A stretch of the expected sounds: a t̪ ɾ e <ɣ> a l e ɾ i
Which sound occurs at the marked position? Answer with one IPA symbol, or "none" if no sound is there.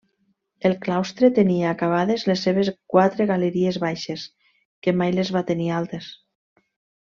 ɣ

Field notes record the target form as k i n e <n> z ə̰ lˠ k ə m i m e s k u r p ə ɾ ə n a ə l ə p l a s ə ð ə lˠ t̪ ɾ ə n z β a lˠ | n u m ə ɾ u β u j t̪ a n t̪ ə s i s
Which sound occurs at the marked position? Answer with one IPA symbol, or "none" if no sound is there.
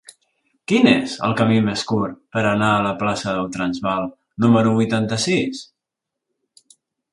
none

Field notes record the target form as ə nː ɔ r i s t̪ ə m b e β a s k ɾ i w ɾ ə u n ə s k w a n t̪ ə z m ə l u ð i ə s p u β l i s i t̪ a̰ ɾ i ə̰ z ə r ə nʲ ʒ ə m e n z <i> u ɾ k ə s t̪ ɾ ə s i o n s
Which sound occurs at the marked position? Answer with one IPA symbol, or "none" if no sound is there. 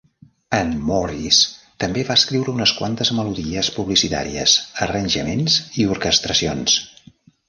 i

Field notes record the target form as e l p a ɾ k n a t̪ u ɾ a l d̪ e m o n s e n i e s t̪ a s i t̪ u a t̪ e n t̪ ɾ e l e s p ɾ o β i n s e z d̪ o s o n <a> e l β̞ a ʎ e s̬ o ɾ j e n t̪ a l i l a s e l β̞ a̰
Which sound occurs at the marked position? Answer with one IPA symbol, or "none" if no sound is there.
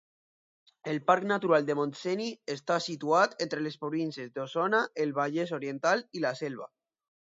a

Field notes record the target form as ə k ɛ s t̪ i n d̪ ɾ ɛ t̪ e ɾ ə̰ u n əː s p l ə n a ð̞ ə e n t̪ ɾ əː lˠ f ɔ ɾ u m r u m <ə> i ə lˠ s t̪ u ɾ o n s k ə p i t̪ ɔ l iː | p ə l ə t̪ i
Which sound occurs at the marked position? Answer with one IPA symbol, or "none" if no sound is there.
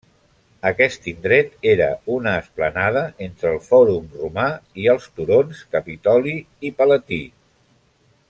a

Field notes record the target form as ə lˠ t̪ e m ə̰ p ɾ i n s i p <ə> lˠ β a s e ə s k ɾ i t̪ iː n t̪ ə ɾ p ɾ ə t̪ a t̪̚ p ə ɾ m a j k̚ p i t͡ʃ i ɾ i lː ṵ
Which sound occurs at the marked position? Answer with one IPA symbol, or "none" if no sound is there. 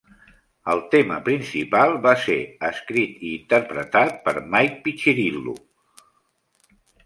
a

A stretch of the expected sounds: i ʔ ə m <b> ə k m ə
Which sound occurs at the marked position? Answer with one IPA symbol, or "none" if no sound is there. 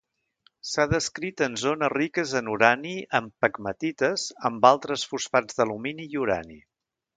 p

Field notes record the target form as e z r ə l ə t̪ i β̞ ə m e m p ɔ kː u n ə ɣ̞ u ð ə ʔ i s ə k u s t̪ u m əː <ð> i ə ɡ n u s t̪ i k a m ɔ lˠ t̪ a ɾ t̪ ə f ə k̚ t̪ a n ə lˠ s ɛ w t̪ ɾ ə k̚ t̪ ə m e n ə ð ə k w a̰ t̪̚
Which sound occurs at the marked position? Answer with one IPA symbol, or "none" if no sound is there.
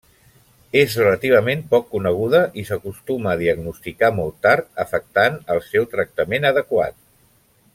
ð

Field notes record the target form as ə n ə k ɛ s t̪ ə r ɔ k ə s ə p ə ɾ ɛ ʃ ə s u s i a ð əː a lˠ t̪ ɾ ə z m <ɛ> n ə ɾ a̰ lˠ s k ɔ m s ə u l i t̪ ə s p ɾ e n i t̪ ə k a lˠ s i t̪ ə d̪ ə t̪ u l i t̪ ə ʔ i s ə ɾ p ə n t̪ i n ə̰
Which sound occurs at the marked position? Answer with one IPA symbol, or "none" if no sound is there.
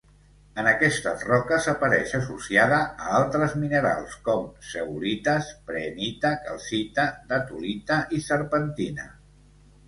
i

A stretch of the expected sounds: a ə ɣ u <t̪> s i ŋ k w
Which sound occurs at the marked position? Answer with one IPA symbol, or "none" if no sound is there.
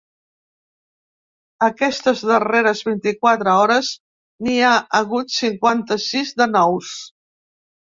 t̪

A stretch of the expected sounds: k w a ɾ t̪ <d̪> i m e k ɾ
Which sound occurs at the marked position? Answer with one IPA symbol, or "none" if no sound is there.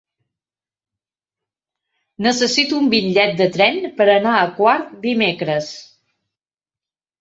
d̪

